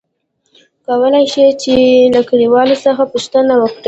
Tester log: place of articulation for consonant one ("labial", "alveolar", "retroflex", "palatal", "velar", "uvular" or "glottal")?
velar